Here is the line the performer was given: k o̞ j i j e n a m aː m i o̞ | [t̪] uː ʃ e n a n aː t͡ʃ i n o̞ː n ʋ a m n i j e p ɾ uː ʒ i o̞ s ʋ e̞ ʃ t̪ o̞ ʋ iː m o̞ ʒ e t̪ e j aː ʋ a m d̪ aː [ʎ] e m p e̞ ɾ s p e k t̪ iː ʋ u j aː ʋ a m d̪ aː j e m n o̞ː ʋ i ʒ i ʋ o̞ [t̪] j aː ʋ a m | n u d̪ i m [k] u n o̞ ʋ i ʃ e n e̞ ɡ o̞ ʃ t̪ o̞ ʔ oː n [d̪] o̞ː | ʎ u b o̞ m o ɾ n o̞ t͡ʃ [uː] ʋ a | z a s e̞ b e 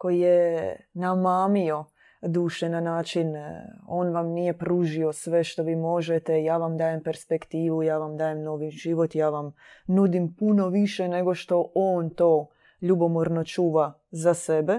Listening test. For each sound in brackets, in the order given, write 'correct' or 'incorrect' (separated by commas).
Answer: incorrect, incorrect, correct, incorrect, incorrect, correct